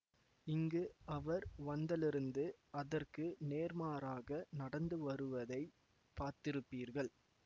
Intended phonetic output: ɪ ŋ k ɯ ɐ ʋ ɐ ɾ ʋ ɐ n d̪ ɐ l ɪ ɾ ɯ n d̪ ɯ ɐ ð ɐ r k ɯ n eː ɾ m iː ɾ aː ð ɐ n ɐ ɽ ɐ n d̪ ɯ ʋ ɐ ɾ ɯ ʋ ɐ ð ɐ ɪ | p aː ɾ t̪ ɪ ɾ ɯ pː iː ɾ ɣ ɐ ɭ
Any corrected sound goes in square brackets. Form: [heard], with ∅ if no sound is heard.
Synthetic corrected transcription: ɪ ŋ [ɡ] ɯ ɐ ʋ ɐ ɾ ʋ ɐ n d̪ ɐ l ɪ ɾ ɯ n d̪ ɯ ɐ ð ɐ r k ɯ n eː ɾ m [aː] ɾ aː [ɣ] ɐ n ɐ ɽ ɐ n d̪ ɯ ʋ ɐ ɾ ɯ ʋ ɐ ð ɐ ɪ | p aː ɾ t̪ ɪ ɾ ɯ pː iː ɾ ɣ ɐ ɭ